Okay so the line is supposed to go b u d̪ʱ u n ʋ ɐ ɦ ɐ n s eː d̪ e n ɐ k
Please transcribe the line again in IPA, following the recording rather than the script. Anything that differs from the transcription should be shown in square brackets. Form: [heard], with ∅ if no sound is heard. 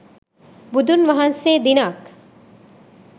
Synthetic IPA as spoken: b u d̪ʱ u n ʋ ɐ ɦ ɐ n s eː d̪ [i] n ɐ k